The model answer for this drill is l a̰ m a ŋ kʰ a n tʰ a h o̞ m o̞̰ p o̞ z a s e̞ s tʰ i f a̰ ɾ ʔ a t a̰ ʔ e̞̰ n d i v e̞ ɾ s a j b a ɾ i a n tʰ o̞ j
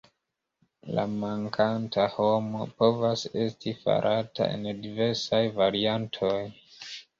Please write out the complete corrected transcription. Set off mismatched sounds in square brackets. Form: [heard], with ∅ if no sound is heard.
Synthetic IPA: l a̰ m a ŋ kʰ a n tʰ a h o̞ m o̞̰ p o̞ [v] a s e̞ s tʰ i f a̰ ɾ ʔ a t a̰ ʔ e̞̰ n d i v e̞ ɾ s a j [v] a ɾ i a n tʰ o̞ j

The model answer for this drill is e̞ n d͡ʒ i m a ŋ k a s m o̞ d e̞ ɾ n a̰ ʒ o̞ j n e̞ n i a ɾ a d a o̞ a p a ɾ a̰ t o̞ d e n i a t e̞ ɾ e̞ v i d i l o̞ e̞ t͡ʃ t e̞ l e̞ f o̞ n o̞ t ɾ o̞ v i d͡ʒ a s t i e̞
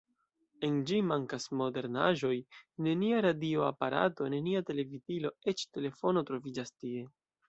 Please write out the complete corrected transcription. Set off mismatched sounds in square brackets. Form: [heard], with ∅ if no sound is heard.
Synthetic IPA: e̞ n d͡ʒ i m a ŋ k a s m o̞ d e̞ ɾ n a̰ ʒ o̞ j n e̞ n i a ɾ a d [i] o̞ a p a ɾ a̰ t o̞ [n] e n i a t e̞ [l] e̞ v i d i l o̞ e̞ t͡ʃ t e̞ l e̞ f o̞ n o̞ t ɾ o̞ v i d͡ʒ a s t i e̞

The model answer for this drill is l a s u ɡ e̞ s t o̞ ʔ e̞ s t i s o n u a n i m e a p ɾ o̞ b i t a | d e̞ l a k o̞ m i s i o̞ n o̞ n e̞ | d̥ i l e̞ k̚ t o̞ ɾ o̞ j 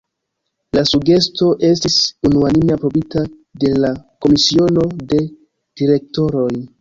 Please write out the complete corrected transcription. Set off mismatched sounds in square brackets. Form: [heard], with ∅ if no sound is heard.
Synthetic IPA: l a s u ɡ e̞ s t o̞ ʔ e̞ s t i s [u] n u a n i m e a p ɾ o̞ b i t a | d e̞ l a k o̞ m i s i o̞ n o̞ [d] e̞ | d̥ i [ɾ] e̞ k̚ t o̞ ɾ o̞ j

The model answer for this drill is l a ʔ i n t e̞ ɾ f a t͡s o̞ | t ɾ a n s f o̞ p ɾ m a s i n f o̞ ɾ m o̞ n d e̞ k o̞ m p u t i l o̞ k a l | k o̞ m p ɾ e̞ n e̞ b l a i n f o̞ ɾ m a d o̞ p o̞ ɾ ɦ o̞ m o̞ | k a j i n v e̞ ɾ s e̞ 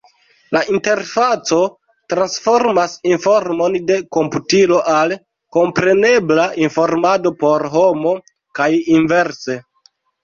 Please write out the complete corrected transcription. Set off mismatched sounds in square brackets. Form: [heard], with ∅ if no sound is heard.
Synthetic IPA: l a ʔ i n t e̞ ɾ f a t͡s o̞ | t ɾ a n s f o̞ [∅] ɾ m a s i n f o̞ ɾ m o̞ n d e̞ k o̞ m p u t i l o̞ [ʔ] a l | k o̞ m p ɾ e̞ n e̞ b l a i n f o̞ ɾ m a d o̞ p o̞ ɾ ɦ o̞ m o̞ | k a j i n v e̞ ɾ s e̞

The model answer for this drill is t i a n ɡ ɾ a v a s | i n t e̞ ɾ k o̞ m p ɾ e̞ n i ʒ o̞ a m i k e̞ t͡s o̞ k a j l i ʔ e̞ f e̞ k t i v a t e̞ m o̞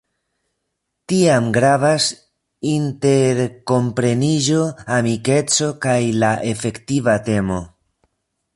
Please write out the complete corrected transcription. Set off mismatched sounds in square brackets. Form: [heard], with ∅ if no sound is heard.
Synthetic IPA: t i a [m] ɡ ɾ a v a s | i n t e̞ ɾ k o̞ m p ɾ e̞ n i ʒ o̞ a m i k e̞ t͡s o̞ k a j l [a] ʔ e̞ f e̞ k t i v a t e̞ m o̞

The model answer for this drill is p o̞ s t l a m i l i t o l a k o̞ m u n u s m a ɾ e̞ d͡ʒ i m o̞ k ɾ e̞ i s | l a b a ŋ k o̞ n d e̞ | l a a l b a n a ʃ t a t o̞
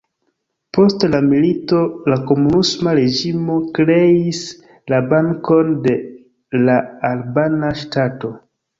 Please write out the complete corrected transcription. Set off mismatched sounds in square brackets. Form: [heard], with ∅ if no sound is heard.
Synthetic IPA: p o̞ s t l a m i l i t o l a k o̞ m u n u s m a ɾ e̞ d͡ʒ i m o̞ k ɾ e̞ i s | l a b a ŋ k o̞ n d e̞ | l a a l b a n a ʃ t a t o̞

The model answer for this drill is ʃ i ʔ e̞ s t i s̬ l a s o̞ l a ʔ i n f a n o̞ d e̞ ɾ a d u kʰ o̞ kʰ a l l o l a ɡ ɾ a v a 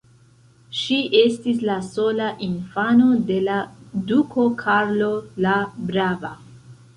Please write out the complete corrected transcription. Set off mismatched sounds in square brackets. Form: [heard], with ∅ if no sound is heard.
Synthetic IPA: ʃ i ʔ e̞ s t i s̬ l a s o̞ l a ʔ i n f a n o̞ d e̞ [l] a d u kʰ o̞ kʰ a [ɾ] l o l a [b] ɾ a v a

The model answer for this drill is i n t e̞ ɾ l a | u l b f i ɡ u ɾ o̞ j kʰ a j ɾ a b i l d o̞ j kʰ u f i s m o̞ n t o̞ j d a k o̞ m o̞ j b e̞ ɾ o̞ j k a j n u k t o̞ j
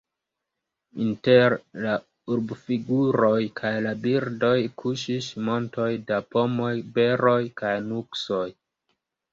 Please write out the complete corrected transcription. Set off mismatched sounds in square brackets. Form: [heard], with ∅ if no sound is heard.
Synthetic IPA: i n t e̞ ɾ l a | u [ɾ] b f i ɡ u ɾ o̞ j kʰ a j [l] a b i [ɾ] d o̞ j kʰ u [ʃ] i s m o̞ n t o̞ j d a [p] o̞ m o̞ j b e̞ ɾ o̞ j k a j n u k [s] o̞ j

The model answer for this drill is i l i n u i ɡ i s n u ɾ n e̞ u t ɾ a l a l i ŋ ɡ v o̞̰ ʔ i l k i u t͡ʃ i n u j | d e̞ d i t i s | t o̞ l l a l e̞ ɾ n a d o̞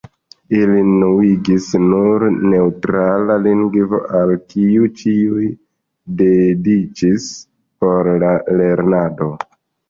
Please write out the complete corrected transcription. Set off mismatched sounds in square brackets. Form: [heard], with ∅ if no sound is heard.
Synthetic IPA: i l i n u i ɡ i s n u ɾ n e̞ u t ɾ a l a l i ŋ ɡ v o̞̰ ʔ [a] l k i u t͡ʃ i [∅] u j | d e̞ d i [t͡ʃ] i s | [p] o̞ [ɾ] l a l e̞ ɾ n a d o̞

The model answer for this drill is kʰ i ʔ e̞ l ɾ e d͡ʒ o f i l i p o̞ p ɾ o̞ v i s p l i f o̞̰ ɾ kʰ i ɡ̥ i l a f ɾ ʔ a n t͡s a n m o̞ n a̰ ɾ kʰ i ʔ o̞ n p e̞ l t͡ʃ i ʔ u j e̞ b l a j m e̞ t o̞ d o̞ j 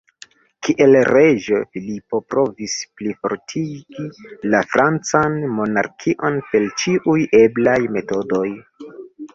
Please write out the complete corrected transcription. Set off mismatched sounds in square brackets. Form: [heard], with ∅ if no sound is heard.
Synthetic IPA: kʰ i ʔ e̞ l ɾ e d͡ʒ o f i l i p o̞ p ɾ o̞ v i s p l i f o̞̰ ɾ [tʰ] i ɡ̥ i l a f ɾ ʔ a n t͡s a n m o̞ n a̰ ɾ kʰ i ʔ o̞ n p e̞ l t͡ʃ i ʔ u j e̞ b l a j m e̞ t o̞ d o̞ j

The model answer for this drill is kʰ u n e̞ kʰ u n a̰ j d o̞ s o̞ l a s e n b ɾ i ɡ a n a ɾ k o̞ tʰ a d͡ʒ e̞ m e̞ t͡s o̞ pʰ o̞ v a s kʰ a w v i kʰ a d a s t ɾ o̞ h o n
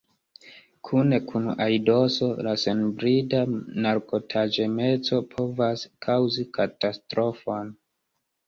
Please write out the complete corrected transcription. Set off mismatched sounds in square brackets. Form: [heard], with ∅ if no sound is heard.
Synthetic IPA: kʰ u n e̞ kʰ u n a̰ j d o̞ s o̞ l a s e n b ɾ i [d] a n a ɾ k o̞ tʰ a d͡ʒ e̞ m e̞ t͡s o̞ pʰ o̞ v a s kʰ a w [z] i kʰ a [t] a s t ɾ o̞ [f] o n

